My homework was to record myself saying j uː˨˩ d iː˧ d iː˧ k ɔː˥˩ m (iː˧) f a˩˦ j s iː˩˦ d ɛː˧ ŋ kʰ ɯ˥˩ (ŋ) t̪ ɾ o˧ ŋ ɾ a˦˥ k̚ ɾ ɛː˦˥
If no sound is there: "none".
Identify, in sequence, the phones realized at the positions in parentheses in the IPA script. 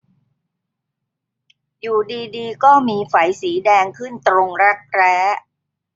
iː˧, n

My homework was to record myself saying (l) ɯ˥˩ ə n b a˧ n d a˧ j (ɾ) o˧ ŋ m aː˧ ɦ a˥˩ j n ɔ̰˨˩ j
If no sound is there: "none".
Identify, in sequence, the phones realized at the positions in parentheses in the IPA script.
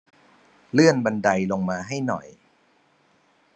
l, l

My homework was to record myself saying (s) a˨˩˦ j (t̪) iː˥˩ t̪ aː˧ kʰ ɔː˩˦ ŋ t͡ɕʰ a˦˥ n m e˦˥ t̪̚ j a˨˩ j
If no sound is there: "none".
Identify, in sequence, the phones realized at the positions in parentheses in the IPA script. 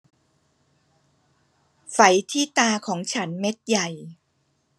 f, t̪ʰ

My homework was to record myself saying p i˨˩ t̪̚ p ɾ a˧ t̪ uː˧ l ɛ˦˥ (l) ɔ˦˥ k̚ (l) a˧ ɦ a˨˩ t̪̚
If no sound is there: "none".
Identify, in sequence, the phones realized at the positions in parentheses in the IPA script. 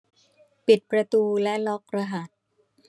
l, ɾ

